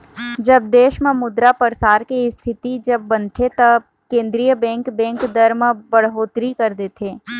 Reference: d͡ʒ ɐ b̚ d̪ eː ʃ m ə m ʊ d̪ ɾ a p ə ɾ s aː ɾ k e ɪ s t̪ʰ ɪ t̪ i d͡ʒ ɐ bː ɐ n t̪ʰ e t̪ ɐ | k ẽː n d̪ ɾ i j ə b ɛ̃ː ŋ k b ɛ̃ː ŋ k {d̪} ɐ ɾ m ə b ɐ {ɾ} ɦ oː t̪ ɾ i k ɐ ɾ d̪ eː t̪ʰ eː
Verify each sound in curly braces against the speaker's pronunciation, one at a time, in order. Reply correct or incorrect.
correct, incorrect

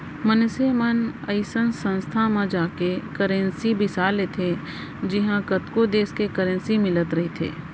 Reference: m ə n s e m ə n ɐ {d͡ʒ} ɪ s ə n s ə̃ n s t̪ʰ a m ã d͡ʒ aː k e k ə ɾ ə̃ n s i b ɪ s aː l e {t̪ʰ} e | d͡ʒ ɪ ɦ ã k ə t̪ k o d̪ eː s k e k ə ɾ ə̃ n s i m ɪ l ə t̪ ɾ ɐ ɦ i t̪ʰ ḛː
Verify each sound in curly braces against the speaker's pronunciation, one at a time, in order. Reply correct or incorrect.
incorrect, correct

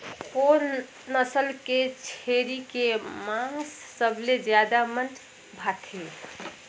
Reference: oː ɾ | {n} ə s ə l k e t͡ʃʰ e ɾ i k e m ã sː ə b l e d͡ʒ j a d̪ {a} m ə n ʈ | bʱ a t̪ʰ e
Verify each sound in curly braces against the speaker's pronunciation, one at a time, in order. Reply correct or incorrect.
correct, correct

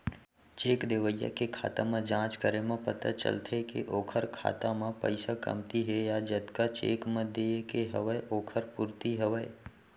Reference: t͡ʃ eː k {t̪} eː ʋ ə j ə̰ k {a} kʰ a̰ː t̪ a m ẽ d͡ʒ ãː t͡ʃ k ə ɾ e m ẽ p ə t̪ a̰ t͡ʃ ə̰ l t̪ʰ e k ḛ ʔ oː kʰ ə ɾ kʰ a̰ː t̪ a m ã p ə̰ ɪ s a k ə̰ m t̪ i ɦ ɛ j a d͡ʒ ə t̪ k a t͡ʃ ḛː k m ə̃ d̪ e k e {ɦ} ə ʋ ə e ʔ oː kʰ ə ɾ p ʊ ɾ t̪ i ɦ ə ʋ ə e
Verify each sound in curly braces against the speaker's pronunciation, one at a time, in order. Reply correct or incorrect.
incorrect, incorrect, correct

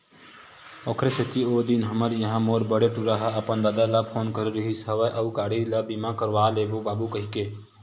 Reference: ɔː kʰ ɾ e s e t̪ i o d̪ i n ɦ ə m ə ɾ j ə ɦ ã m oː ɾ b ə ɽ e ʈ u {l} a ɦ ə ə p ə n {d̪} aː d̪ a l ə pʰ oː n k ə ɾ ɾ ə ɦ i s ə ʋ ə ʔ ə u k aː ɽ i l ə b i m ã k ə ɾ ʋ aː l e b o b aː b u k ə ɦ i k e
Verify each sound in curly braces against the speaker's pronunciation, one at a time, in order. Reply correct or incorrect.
incorrect, correct

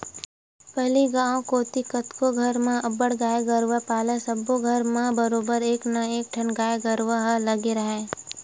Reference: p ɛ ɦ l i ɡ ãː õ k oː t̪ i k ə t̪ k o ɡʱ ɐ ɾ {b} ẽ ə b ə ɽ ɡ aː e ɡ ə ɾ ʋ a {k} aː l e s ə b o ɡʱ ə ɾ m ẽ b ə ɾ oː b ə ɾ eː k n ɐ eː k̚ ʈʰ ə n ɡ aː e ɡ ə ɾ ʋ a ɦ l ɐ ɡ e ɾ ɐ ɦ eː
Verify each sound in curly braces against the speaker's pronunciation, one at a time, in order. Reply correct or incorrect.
incorrect, incorrect

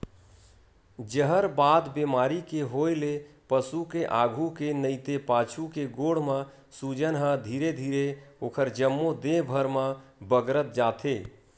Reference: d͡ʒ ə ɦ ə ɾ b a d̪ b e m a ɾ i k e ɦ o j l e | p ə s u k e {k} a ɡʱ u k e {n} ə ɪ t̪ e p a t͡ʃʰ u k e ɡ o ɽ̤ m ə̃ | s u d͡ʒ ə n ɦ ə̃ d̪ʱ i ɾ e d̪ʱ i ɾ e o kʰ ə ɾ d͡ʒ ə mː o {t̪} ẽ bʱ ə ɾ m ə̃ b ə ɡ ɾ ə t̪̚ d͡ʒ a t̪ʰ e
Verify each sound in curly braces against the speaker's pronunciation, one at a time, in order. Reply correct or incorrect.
incorrect, correct, incorrect

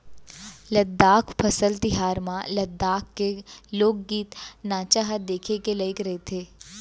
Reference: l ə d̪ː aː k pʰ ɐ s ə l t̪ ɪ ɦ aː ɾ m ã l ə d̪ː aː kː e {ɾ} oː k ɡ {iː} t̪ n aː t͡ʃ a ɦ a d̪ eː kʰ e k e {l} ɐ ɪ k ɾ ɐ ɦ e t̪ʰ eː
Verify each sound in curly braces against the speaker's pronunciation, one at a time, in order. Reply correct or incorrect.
incorrect, correct, correct

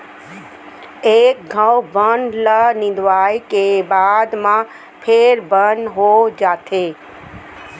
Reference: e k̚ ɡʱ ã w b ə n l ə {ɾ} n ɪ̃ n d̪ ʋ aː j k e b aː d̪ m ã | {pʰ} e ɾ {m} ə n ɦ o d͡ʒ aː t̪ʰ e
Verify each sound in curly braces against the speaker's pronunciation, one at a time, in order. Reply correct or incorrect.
incorrect, correct, incorrect

